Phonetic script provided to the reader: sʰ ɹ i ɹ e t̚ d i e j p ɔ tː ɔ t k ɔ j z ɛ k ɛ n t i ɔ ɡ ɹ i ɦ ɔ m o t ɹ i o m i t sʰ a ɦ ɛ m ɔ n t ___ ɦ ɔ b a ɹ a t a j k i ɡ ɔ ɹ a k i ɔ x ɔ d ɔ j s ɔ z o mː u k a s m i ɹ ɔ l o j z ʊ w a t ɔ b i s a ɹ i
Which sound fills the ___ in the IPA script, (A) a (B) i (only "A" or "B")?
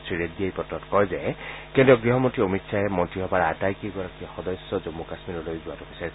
B